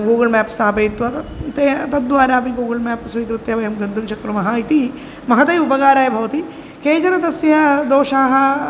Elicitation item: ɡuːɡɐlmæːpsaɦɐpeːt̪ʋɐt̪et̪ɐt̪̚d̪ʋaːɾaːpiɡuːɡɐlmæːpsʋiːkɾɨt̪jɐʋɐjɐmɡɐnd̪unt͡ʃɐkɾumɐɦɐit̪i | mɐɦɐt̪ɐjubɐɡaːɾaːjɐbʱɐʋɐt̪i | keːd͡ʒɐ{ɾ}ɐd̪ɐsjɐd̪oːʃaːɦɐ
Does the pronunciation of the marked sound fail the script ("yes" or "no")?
no